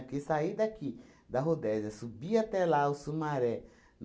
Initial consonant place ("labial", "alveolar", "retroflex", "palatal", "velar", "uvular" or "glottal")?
velar